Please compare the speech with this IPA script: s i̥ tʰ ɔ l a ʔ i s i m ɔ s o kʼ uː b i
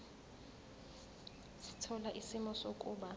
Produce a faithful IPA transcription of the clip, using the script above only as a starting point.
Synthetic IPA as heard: s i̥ tʰ ɔ l a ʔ i s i m ɔ s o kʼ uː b a